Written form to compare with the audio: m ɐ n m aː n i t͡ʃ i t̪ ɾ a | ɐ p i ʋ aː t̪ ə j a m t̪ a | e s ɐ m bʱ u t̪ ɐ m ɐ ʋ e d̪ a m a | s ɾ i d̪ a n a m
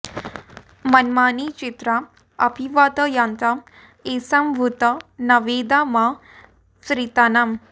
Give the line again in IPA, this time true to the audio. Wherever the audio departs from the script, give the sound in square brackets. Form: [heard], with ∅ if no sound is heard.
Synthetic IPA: m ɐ n m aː n i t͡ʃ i t̪ ɾ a | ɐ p i ʋ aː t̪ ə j a [n] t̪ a | e s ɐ m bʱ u t̪ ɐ [n] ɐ ʋ e d̪ a m a | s ɾ i [t̪] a n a m